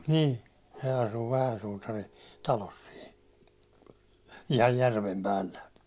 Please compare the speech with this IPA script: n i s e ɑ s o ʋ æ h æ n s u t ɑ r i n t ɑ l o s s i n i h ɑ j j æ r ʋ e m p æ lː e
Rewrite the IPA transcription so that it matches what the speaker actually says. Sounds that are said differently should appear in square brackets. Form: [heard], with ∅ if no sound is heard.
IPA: n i s e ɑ s [u] ʋ æ h æ n s u t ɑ r i n t ɑ l o s s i n i h ɑ j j æ r ʋ e m p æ lː [æ]